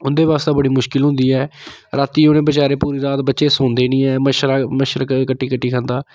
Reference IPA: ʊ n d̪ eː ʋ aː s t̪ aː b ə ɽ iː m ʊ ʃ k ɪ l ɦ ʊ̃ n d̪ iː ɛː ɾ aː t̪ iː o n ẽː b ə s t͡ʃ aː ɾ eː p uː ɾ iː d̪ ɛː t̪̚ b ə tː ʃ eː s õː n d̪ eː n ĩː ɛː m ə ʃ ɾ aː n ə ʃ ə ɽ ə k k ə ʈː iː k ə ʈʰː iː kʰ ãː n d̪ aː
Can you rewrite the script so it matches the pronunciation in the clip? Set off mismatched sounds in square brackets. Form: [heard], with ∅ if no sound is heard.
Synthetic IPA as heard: ʊ n d̪ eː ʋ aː s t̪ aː b ə ɽ iː m ʊ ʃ k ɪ l ɦ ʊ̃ n d̪ iː ɛː ɾ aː t̪ iː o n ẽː b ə [∅] t͡ʃ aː ɾ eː p uː ɾ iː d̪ [aː] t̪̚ b ə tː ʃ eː s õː n d̪ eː n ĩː ɛː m ə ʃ ɾ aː [m] ə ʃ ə [ɾ] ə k k ə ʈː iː k ə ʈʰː iː kʰ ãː n d̪ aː